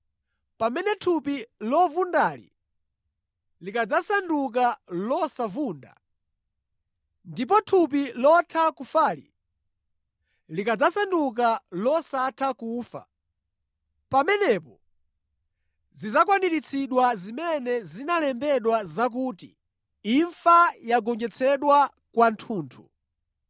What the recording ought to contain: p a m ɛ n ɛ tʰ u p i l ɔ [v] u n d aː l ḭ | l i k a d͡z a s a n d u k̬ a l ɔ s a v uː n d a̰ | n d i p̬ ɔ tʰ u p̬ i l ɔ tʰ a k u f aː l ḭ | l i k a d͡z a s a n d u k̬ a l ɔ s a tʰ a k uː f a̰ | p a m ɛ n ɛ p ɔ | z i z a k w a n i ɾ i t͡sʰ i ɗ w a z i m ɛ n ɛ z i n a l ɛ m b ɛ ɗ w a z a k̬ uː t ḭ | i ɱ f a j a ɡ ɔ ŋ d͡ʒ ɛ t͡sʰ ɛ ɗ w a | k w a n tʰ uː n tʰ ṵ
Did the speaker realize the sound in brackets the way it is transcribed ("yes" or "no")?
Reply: yes